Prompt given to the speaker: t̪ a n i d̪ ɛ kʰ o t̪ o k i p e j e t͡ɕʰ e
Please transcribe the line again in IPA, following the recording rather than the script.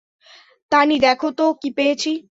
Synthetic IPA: t̪ a n i d̪ ɛ kʰ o t̪ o k i p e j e t͡ɕʰ i